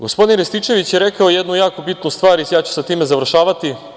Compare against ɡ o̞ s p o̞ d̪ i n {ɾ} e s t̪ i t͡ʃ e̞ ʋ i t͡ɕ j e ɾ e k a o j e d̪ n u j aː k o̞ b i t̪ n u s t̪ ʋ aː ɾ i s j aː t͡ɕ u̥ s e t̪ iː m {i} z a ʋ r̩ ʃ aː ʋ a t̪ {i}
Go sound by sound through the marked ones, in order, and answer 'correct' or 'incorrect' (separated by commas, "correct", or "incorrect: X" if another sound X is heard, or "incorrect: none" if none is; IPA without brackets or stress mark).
correct, incorrect: e, correct